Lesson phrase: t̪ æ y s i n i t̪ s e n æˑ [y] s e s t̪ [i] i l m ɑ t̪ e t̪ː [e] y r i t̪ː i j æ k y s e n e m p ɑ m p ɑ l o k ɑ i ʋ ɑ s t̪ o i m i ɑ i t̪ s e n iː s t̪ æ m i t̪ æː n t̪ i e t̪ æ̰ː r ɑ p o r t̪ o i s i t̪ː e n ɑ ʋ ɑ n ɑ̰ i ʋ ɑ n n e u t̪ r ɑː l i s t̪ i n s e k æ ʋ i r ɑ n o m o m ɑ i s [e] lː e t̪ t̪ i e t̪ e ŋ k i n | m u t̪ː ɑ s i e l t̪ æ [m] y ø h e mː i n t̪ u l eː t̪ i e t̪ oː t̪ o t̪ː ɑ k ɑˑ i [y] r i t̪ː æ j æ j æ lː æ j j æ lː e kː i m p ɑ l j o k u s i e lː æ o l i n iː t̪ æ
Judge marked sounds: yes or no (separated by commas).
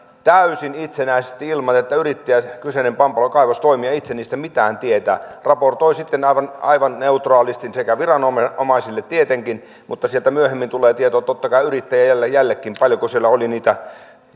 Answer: no, yes, no, no, yes, yes